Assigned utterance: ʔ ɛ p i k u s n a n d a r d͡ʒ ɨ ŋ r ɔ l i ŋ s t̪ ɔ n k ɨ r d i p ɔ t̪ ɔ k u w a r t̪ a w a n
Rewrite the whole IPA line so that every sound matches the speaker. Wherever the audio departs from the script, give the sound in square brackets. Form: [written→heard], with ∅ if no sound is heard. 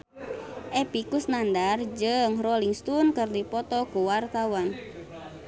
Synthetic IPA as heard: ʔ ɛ p i k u s n a n d a r d͡ʒ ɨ ŋ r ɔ l i ŋ s t̪ [ɔ→u] n k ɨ r d i p ɔ t̪ ɔ k u w a r t̪ a w a n